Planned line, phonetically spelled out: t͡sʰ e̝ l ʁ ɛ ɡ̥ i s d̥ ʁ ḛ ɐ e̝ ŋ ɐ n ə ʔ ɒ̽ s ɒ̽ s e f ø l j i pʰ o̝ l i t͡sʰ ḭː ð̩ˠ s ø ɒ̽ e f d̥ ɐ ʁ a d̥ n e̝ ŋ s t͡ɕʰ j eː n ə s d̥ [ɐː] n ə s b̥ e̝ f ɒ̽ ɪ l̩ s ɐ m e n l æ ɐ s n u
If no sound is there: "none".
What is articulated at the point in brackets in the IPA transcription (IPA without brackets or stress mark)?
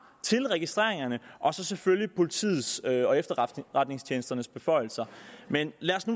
ɐ